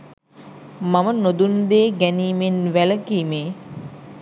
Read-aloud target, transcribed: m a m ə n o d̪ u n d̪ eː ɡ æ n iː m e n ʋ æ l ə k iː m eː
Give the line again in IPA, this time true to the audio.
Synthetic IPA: m a m ə n o d̪ u n d̪ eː ɡ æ n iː m e n ʋ æ l ə k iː m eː